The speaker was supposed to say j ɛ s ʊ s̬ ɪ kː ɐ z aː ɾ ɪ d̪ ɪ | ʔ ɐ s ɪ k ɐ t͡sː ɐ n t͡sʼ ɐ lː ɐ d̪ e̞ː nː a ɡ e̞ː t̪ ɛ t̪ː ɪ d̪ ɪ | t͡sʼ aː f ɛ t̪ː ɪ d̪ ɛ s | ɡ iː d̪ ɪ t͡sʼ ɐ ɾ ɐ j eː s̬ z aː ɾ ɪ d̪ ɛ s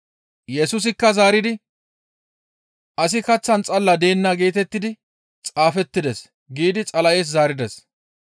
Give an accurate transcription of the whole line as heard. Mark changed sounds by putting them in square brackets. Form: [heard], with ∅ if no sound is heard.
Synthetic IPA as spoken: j ɛ s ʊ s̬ ɪ kː ɐ z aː ɾ ɪ d̪ ɪ | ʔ ɐ s ɪ k ɐ t͡sː ɐ n t͡sʼ ɐ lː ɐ d̪ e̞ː nː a ɡ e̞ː t̪ ɛ t̪ː ɪ d̪ ɪ | t͡sʼ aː f ɛ t̪ː ɪ d̪ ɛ s | ɡ iː d̪ ɪ t͡sʼ ɐ [l] ɐ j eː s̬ z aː ɾ ɪ d̪ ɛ s

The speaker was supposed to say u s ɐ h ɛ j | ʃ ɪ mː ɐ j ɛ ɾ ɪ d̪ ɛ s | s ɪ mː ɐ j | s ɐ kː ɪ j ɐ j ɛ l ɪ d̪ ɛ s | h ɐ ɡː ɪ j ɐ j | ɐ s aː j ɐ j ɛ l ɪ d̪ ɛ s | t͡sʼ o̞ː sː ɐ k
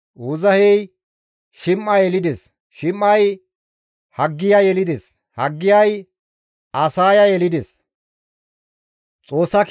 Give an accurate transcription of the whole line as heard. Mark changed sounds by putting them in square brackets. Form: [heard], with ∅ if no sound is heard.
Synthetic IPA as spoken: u [z] ɐ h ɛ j | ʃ ɪ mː ɐ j ɛ [l] ɪ d̪ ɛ s | [ʃ] ɪ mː ɐ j | [h] ɐ [ɡː] ɪ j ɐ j ɛ l ɪ d̪ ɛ s | h ɐ ɡː ɪ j ɐ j | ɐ s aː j ɐ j ɛ l ɪ d̪ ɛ s | t͡sʼ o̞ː sː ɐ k

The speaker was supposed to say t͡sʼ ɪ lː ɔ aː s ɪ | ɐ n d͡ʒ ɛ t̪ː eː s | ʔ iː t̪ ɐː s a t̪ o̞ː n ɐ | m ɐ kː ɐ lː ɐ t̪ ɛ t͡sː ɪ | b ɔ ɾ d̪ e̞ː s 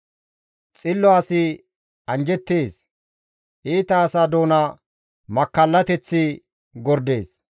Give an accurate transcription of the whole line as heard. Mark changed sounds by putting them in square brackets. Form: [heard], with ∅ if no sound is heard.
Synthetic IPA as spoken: t͡sʼ ɪ lː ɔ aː s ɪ | ɐ n d͡ʒ ɛ t̪ː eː s | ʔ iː t̪ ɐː s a [d̪] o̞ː n ɐ | m ɐ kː ɐ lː ɐ t̪ ɛ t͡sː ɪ | [ɡ] ɔ ɾ d̪ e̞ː s

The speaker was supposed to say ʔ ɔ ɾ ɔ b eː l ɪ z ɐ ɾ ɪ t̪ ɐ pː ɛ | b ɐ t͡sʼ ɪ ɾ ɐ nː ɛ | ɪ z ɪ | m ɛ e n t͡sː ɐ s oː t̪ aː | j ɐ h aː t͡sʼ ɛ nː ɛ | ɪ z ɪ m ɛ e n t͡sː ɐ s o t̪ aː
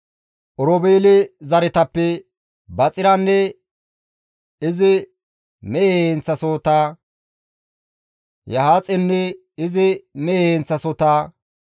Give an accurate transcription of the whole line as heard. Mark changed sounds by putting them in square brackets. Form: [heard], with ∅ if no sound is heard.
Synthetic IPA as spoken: ʔ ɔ ɾ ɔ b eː l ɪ z ɐ ɾ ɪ t̪ ɐ pː ɛ | b ɐ t͡sʼ ɪ ɾ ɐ nː ɛ | ɪ z ɪ | m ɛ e n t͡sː ɐ s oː t̪ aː | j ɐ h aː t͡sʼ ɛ nː ɛ | ɪ z ɪ m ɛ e n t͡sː ɐ s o t̪ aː

